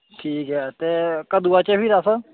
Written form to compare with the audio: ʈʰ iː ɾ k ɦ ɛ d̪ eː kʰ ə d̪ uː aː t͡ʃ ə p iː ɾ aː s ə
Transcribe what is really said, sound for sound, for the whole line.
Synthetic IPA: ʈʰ iː k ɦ ɛ t̪ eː k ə d̪ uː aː t͡ʃ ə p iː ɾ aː s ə

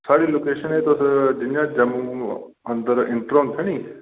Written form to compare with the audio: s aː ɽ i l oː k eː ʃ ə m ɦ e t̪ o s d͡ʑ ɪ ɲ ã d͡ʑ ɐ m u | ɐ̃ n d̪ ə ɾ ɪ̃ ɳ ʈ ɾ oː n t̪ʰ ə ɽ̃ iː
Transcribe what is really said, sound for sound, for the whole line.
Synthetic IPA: s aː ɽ i l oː k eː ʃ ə n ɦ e t̪ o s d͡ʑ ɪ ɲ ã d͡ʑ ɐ m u | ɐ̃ n d̪ ə ɾ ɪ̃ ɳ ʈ ɾ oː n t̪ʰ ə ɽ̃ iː

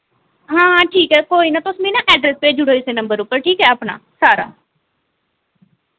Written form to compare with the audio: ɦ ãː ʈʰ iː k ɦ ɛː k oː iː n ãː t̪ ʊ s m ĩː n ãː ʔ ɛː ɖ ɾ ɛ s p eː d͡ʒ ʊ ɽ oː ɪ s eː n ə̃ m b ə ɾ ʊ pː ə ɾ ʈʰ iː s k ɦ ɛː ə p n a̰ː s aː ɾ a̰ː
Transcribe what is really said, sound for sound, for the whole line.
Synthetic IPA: ɦ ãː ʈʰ iː k ɦ ɛː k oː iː n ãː t̪ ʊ s m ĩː n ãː ʔ ɛː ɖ ɾ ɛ s p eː d͡ʒ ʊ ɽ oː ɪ s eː n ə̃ m b ə ɾ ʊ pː ə ɾ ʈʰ iː k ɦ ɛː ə p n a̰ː s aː ɾ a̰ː

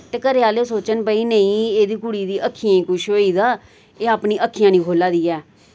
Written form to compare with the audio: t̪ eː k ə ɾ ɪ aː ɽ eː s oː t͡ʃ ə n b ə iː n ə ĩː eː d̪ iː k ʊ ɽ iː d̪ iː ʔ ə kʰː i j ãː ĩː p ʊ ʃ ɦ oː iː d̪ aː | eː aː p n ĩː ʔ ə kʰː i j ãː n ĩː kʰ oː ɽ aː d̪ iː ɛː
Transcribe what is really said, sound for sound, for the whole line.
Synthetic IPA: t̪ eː k ə ɾ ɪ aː l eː s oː t͡ʃ ə n b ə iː n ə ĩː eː d̪ iː k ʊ ɽ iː d̪ iː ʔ ə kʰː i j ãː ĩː k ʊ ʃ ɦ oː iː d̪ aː | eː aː p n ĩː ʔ ə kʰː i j ãː n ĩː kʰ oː l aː d̪ iː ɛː

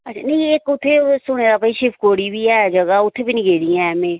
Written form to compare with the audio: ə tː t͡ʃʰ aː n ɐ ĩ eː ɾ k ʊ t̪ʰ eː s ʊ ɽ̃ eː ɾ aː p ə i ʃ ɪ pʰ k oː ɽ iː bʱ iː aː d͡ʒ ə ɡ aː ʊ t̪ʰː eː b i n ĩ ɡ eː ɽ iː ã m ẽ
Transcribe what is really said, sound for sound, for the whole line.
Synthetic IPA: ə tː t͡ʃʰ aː n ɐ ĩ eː k ʊ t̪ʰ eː s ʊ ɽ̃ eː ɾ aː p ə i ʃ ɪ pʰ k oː ɽ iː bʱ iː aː d͡ʒ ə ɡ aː ʊ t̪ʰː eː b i n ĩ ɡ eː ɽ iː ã m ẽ

